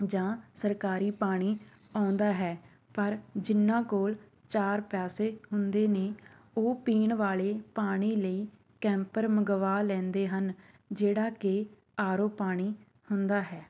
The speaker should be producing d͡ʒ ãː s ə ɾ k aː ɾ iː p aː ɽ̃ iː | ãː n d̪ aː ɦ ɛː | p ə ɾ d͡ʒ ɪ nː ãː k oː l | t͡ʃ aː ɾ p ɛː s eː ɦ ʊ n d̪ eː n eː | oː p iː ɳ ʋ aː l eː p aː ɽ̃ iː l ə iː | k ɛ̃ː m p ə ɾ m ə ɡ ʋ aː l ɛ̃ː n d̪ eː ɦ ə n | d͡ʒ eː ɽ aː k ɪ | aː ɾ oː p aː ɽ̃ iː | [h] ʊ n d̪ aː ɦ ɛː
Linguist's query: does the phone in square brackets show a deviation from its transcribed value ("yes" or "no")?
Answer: no